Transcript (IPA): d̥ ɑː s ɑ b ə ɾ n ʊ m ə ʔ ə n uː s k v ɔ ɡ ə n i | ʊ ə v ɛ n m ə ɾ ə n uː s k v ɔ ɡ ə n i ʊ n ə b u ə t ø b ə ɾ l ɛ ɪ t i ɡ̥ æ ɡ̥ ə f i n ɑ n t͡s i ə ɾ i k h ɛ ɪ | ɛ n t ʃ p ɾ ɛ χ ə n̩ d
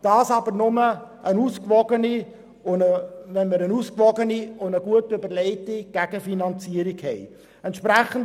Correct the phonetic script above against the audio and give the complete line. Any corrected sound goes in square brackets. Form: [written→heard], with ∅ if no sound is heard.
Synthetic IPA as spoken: d̥ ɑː s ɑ b ə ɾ n ʊ m ə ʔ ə n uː s k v ɔ ɡ ə n i | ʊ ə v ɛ n m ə ɾ ə n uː s k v ɔ ɡ ə n i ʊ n ə [b→ɡ] u ə t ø b ə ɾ l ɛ ɪ t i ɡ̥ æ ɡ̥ ə f i n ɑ n t͡s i ə ɾ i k h ɛ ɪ | ɛ n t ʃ p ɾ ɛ χ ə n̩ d